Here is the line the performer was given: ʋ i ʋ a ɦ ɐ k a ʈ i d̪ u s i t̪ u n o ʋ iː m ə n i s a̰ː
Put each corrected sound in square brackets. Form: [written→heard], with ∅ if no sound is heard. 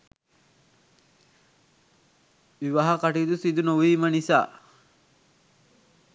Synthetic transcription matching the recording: ʋ i ʋ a ɦ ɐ k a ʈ i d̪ u s i [t̪→d̪] u n o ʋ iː m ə n i s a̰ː